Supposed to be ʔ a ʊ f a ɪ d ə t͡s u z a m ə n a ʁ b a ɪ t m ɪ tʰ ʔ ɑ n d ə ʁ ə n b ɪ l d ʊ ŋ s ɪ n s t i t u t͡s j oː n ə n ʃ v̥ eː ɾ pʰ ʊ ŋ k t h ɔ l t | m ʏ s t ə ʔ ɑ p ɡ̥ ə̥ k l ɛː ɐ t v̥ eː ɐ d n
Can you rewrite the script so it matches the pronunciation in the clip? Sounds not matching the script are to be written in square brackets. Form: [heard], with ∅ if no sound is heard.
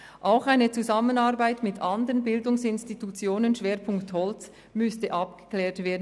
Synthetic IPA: ʔ a ʊ [x] a ɪ [n] ə t͡s u z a m ə n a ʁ b a ɪ t m ɪ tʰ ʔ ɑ n d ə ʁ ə n b ɪ l d ʊ ŋ s ɪ n s t i t u t͡s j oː n ə n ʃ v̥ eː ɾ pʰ ʊ ŋ k t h ɔ l [t͡s] | m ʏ s t ə ʔ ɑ p ɡ̥ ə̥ k l ɛː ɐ t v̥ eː ɐ d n